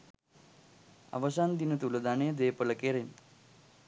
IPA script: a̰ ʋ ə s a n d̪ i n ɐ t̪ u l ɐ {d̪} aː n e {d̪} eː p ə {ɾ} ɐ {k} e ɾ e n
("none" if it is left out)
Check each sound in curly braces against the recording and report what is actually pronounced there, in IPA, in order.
d̪, d̪, l, k

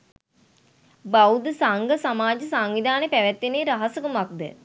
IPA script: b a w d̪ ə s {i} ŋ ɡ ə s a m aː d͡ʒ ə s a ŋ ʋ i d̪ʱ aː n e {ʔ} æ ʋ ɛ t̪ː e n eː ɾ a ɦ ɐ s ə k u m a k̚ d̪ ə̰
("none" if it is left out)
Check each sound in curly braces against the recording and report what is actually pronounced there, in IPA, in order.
a, p

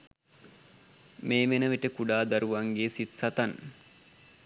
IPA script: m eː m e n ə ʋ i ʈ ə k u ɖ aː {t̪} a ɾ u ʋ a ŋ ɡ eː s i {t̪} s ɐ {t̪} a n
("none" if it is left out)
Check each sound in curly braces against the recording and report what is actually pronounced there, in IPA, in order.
d̪, t̪, t̪

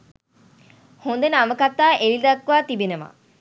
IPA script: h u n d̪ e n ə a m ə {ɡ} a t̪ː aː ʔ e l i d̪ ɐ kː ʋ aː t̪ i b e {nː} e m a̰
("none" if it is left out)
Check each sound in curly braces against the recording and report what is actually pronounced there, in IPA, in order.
k, n

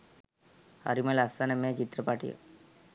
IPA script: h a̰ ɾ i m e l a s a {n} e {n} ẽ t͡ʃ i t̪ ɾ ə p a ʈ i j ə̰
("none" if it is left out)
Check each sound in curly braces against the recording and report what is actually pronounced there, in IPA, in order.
n, m

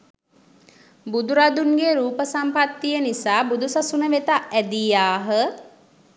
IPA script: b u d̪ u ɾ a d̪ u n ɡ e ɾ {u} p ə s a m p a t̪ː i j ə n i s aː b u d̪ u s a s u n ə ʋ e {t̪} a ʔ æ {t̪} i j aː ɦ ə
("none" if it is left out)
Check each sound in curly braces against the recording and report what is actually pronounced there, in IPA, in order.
uː, t̪, d̪

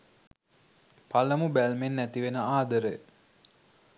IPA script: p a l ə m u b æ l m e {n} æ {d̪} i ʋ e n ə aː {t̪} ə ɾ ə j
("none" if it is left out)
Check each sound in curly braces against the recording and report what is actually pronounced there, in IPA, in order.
nː, t̪, d̪

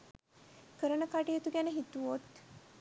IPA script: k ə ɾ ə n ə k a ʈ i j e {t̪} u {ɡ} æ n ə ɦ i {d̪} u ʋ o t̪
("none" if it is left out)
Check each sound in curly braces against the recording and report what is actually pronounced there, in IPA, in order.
t̪, ɡ, t̪

